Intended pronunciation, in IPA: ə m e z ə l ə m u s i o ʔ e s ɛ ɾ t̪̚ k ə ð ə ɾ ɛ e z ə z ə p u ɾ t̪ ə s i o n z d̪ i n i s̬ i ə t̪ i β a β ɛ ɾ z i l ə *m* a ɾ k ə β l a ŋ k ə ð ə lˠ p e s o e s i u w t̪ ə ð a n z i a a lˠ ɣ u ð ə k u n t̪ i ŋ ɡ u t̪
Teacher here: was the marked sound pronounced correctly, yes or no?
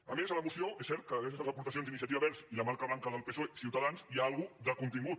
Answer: yes